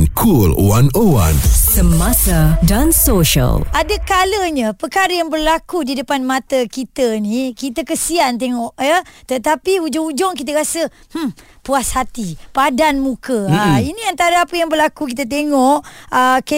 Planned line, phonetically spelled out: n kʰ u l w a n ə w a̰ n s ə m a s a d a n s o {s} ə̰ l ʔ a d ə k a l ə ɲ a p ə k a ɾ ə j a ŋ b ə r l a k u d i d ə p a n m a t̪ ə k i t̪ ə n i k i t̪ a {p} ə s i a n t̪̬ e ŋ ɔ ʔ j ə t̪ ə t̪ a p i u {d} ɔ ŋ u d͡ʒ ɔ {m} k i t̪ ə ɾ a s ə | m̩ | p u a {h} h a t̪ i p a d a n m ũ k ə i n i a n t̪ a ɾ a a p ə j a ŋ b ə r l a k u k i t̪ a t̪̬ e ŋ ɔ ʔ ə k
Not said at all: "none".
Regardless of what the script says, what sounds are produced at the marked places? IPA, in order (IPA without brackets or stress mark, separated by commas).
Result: ʃ, k, d͡ʒ, ŋ, s